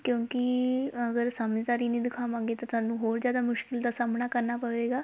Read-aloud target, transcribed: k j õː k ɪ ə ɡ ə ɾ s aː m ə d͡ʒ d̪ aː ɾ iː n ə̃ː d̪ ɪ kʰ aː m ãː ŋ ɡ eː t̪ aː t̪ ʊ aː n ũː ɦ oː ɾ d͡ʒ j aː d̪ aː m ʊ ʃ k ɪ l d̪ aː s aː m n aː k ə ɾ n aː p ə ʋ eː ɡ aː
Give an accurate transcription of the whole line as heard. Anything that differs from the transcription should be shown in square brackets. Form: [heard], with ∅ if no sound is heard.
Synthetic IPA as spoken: k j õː k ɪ ə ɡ ə ɾ s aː m ə d͡ʒ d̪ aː ɾ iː n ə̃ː d̪ ɪ kʰ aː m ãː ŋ ɡ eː t̪ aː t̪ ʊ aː n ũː ɦ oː ɾ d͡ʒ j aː d̪ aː m ʊ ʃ k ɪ l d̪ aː s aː m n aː k ə ɾ n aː p ə ʋ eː ɡ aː